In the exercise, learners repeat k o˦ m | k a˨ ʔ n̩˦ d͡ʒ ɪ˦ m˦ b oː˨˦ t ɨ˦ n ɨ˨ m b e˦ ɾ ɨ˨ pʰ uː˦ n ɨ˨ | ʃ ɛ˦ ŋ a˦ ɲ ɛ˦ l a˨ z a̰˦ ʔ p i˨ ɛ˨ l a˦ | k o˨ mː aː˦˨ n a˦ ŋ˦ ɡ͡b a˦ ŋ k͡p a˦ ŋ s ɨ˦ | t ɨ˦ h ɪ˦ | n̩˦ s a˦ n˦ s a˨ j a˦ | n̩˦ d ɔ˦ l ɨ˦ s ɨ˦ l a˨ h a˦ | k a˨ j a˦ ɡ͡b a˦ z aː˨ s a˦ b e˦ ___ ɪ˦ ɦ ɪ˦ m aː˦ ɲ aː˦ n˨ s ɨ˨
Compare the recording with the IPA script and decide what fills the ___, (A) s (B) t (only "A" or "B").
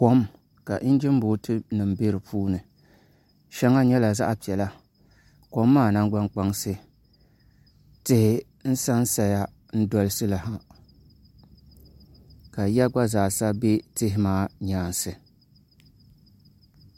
B